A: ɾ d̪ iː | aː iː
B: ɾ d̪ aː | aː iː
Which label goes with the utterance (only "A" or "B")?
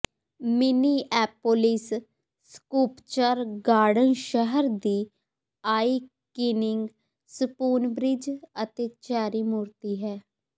A